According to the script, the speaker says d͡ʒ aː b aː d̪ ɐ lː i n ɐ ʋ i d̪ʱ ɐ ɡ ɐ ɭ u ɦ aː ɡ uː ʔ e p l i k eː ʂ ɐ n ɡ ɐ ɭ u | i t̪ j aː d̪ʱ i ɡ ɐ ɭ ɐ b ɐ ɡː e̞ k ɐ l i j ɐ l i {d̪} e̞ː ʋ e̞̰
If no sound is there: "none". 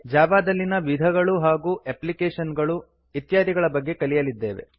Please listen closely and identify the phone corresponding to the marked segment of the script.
d̪ː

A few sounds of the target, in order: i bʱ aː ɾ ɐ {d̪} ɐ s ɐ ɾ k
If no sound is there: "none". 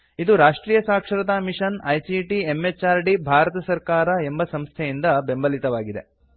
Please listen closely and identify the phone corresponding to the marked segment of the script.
t̪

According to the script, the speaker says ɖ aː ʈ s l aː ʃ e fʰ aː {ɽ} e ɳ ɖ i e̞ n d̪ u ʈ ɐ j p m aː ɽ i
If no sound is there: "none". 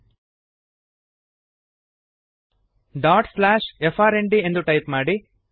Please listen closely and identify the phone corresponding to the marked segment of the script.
ɾ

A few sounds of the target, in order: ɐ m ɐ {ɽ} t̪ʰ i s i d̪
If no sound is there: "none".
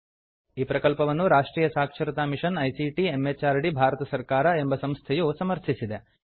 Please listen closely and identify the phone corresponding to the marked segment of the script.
ɾ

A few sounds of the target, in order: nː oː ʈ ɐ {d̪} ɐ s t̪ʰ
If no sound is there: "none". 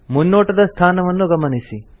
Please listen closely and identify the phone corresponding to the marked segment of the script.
d̪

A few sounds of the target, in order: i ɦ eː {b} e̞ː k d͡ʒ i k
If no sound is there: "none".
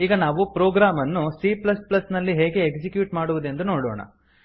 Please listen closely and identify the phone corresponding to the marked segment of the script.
ɡ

